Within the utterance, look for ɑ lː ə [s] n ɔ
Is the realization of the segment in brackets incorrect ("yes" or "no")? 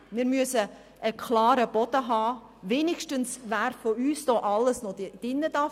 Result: no